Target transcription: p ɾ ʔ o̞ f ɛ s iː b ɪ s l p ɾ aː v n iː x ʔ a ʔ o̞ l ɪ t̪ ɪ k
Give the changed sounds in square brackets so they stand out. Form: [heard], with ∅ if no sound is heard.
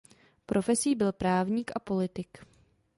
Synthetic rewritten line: p ɾ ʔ o̞ f ɛ s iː b ɪ [∅] l p ɾ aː v [ɲ] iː [k] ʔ a [p] o̞ l ɪ t̪ ɪ k